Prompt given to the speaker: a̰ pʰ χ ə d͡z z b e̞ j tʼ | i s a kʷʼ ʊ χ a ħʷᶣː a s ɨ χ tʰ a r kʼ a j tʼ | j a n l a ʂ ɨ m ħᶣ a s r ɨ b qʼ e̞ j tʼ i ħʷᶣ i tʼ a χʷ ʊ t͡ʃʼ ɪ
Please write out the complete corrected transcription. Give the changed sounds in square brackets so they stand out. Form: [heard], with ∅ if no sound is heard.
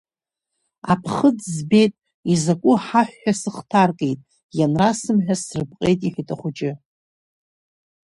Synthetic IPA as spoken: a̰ pʰ χ ə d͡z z b e̞ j tʼ | i [z] a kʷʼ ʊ [ħ] a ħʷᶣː a s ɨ χ tʰ a r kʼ [e] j tʼ | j a n [r] a [s] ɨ m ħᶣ a s r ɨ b qʼ e̞ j tʼ i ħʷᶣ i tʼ a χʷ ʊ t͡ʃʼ ɪ